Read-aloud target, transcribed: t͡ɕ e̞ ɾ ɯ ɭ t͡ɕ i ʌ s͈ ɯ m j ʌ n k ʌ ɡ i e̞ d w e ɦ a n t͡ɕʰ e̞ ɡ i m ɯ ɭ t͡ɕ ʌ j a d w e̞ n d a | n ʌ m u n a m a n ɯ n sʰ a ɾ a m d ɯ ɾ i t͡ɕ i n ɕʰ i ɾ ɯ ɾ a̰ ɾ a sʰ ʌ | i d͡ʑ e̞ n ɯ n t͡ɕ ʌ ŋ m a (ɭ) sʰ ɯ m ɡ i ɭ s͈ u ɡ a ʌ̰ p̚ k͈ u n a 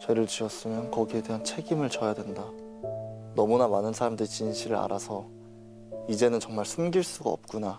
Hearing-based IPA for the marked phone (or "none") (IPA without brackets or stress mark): ɭ